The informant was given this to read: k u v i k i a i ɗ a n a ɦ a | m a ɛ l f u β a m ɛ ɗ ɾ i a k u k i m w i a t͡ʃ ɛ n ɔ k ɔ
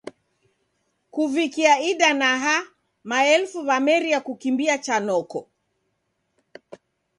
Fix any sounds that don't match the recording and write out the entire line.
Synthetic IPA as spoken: k u v i k i a i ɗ a n a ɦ a | m a ɛ l f u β a m ɛ ɾ i a k u k i m b i a t͡ʃ a n ɔ k ɔ